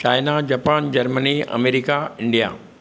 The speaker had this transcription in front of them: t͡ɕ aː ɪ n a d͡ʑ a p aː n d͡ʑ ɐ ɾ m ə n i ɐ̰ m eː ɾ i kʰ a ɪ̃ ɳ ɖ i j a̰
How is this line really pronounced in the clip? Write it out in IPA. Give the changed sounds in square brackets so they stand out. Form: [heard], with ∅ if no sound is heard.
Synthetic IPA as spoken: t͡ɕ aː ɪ n a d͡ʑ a p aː n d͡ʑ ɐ ɾ m ə n i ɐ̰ m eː ɾ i [k] a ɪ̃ ɳ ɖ i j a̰